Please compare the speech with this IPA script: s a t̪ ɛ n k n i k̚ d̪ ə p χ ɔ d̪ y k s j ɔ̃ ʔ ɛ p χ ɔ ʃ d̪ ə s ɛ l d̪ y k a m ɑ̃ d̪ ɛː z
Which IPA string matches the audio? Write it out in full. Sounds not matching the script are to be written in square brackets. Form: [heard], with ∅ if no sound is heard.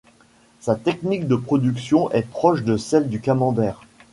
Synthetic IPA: s a t̪ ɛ [∅] k n i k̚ d̪ ə p χ ɔ d̪ y k s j ɔ̃ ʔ ɛ p χ ɔ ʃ d̪ ə s ɛ l d̪ y k a m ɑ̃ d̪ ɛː [ʁ]